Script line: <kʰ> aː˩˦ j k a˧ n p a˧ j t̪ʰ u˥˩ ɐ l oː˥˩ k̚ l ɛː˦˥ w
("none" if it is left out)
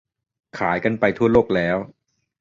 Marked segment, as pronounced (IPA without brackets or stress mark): kʰ